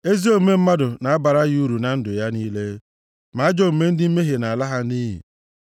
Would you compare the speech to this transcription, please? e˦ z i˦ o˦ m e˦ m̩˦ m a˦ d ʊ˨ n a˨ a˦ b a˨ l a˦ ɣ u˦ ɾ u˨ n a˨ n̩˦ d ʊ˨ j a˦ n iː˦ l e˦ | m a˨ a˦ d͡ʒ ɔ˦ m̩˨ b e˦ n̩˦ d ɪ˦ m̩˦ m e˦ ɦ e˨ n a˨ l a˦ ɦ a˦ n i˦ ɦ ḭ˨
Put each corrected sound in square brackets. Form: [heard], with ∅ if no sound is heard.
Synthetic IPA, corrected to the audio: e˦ z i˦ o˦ m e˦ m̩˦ m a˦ d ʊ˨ n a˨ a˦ b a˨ [ɾ] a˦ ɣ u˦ ɾ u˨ n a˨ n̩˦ d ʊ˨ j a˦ n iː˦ l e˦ | m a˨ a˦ d͡ʒ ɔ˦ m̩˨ [m] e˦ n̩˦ d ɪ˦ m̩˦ m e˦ ɦ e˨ n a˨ l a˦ ɦ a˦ n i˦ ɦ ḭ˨